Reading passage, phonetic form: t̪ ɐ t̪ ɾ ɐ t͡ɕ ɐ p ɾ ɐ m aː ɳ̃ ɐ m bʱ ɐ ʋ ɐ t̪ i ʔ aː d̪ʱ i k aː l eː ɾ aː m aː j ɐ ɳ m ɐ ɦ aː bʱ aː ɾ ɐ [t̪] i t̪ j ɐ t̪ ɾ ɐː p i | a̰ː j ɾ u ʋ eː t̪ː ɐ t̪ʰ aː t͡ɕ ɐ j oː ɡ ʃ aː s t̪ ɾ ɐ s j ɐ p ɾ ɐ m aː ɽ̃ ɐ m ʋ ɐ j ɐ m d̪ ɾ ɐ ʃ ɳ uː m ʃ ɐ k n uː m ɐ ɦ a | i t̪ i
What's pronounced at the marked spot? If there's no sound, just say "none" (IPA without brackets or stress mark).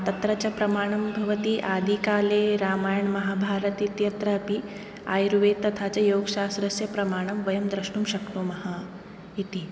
t̪